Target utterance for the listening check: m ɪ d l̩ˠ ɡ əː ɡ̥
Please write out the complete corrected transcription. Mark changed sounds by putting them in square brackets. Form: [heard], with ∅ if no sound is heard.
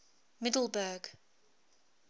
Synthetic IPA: m ɪ d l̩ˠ [b] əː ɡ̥